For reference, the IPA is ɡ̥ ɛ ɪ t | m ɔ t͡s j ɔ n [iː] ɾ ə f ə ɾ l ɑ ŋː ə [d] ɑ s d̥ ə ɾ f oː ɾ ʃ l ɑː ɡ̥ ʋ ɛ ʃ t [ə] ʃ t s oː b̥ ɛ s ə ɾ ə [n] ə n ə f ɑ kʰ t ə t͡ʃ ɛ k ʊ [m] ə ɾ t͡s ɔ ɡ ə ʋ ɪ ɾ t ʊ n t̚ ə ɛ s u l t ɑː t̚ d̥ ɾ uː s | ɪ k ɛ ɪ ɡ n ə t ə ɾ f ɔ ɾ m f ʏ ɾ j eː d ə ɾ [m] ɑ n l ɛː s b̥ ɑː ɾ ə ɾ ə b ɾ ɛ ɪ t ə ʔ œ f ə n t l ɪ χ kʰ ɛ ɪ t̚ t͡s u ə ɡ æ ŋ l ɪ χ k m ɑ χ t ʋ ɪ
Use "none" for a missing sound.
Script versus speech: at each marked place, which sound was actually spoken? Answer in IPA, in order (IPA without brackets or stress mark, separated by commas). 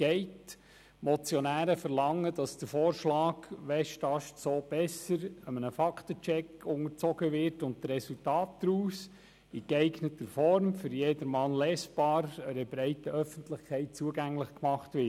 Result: æː, d, ɑ, m, ŋ, m